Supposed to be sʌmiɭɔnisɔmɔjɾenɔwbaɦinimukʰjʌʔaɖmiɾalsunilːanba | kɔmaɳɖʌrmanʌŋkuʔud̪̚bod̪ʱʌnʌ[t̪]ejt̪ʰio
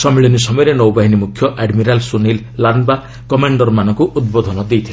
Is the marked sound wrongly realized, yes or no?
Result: yes